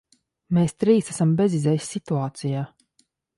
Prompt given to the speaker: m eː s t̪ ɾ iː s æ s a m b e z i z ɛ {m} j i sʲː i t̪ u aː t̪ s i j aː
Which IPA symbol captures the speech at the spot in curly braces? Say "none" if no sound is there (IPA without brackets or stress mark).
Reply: none